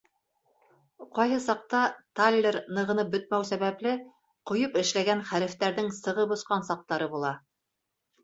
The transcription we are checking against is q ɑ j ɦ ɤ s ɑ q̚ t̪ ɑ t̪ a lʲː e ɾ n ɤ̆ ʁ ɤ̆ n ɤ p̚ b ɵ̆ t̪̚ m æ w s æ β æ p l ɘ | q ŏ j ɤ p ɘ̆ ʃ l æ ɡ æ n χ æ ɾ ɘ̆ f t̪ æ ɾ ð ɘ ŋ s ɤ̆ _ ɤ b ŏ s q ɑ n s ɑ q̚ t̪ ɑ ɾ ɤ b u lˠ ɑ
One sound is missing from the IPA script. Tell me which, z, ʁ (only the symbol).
ʁ